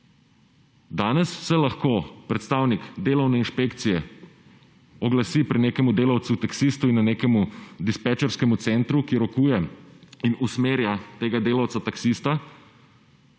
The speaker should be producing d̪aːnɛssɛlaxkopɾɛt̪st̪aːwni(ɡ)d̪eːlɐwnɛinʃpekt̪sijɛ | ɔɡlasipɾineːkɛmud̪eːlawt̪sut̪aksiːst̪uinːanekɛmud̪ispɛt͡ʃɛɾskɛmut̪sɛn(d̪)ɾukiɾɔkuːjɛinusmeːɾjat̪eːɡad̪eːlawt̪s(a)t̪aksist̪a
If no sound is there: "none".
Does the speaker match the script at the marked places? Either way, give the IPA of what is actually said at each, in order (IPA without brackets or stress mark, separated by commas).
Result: k, t̪, a